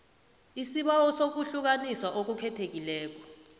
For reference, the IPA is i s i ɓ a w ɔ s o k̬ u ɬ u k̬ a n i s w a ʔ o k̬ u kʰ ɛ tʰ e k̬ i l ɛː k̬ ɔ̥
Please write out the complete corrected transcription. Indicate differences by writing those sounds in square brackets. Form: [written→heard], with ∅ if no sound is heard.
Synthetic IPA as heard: i s i ɓ a w ɔ s o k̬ u ɬ u k̬ a n i s w a ʔ o k̬ u kʰ ɛ tʰ e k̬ i l ɛː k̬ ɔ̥

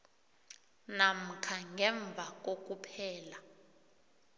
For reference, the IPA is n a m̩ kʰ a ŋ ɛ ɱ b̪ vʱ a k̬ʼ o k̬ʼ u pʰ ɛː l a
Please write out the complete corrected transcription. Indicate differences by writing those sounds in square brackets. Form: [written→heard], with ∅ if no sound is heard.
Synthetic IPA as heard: n a m̩ kʰ a ŋ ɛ ɱ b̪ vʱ a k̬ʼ o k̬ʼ u pʰ ɛː l a

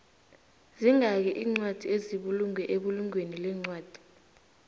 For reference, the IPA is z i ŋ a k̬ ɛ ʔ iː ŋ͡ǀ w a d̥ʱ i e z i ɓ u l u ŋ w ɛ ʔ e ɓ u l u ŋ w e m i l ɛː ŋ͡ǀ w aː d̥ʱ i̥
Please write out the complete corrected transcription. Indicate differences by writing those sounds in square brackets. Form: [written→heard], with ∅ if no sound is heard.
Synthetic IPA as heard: z i ŋ a k̬ ɛ ʔ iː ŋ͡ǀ w a d̥ʱ i e z i ɓ u l u ŋ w ɛ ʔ e ɓ u l u ŋ w e [m→n] i l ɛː ŋ͡ǀ w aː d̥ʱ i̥

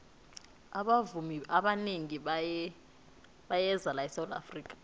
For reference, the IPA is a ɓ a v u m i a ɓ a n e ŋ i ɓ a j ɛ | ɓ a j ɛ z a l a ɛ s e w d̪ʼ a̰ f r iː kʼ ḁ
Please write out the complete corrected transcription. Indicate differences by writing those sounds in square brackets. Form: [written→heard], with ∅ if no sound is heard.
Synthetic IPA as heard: a ɓ a v u m i a ɓ a n e ŋ i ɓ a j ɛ | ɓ a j ɛ z a l a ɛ s [e→a] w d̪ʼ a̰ f r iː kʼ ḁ

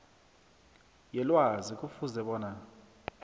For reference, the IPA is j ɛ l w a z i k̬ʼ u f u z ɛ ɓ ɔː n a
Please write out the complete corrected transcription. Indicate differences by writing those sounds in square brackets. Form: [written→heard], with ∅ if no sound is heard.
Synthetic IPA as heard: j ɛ l w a z i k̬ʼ u f u z ɛ ɓ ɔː n a

